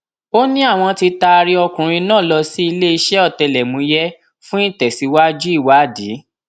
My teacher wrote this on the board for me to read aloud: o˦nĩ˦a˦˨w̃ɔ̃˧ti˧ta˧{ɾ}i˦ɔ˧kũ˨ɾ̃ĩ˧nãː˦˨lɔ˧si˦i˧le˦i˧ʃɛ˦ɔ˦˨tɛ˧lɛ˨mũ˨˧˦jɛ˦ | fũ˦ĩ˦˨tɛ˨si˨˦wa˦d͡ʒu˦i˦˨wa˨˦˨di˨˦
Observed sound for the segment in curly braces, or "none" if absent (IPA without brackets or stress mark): ɾ